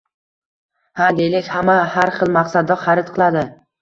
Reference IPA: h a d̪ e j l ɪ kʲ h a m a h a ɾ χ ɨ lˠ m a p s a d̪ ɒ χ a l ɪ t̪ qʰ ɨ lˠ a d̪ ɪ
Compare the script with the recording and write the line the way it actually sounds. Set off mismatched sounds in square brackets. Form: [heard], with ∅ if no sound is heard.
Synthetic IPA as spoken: h a d̪ e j l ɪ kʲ h a m a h a ɾ χ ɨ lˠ m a [q] s a d̪ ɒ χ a [ɾ] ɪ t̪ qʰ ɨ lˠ a d̪ ɪ